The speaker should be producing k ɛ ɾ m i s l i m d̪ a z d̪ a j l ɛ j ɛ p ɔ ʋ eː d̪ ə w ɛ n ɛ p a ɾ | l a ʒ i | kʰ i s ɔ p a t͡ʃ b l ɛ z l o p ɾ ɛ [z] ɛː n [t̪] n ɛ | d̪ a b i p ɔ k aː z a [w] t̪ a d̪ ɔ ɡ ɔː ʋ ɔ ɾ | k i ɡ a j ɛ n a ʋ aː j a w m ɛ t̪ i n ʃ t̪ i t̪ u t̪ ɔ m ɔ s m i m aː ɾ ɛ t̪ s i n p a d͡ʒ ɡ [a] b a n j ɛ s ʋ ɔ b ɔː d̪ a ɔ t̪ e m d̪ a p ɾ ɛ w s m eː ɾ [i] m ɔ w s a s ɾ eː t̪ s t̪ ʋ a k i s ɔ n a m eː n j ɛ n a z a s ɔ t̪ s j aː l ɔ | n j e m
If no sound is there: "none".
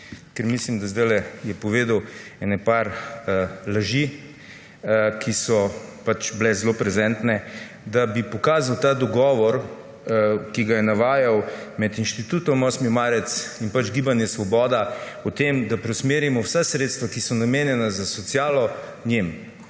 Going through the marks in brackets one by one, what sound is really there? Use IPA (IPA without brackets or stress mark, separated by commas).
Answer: z, t̪, w, i, i